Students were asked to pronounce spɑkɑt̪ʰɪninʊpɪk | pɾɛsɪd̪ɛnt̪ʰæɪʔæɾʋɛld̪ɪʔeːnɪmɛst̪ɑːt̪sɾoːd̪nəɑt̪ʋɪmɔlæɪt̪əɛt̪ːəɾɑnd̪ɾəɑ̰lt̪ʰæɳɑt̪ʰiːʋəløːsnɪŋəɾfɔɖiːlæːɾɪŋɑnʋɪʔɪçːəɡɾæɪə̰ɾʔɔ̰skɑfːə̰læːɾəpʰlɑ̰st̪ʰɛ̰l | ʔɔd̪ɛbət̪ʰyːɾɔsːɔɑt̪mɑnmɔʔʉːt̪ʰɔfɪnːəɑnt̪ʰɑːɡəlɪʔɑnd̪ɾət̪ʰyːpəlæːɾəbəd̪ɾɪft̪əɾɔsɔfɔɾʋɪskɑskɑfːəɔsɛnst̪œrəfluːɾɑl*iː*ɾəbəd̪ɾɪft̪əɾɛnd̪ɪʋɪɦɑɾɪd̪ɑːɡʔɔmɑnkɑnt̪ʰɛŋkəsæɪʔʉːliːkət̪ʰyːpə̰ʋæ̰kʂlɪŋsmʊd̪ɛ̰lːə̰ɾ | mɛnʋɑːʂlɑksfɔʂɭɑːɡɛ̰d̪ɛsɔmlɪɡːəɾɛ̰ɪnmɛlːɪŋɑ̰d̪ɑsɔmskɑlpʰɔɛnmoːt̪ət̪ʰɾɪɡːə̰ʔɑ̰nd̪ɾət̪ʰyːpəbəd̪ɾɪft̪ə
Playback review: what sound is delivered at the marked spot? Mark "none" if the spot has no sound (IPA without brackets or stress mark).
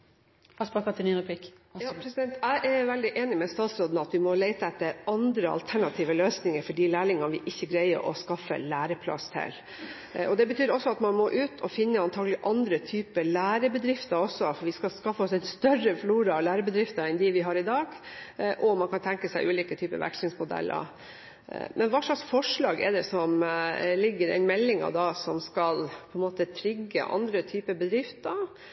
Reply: æː